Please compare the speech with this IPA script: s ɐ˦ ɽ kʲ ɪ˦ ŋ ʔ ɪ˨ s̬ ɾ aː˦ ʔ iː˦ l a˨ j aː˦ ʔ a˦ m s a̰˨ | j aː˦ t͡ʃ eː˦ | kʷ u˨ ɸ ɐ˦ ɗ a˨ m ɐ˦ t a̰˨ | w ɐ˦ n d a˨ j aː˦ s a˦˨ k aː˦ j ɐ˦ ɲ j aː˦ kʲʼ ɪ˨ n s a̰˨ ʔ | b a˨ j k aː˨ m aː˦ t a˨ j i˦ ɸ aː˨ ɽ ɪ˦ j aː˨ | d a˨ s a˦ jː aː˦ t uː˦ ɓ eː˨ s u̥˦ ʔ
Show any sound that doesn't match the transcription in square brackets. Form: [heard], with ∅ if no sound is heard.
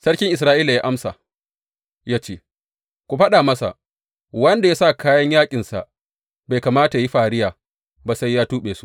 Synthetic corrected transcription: s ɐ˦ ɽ kʲ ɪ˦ ŋ ʔ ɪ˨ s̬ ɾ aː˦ ʔ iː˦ l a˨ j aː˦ ʔ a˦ m s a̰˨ | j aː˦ t͡ʃ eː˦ | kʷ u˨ ɸ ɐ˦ ɗ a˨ m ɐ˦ [s] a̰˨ | w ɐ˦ n d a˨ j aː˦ s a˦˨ k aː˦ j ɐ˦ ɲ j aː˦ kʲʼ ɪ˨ n s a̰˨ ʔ | b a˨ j k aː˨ m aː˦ t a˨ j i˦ ɸ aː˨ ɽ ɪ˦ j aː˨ | [b] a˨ s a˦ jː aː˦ t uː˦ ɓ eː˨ s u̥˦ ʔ